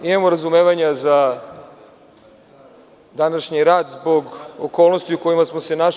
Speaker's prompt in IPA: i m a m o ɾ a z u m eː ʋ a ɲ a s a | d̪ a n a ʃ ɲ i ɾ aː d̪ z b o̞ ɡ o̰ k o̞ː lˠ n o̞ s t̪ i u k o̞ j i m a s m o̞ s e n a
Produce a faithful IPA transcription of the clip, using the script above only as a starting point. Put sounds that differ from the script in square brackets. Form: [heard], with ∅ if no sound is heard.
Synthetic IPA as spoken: i m a m o ɾ a z u m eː ʋ a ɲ a [z] a | d̪ a n a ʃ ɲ i ɾ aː d̪ z b o̞ ɡ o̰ k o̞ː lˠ n o̞ s t̪ i u k o̞ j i m a s m o̞ s e n a